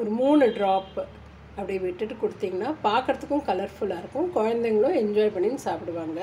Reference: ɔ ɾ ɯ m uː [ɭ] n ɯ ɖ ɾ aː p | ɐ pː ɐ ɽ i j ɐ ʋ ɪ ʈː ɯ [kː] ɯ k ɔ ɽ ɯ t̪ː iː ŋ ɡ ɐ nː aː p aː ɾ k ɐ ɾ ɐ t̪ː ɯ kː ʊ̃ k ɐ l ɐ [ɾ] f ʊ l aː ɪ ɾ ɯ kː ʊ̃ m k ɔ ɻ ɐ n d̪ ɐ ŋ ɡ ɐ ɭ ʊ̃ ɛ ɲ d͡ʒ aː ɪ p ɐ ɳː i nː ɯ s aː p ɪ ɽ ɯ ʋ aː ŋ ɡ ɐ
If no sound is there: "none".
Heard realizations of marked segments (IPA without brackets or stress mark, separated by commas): none, ʈː, ɾ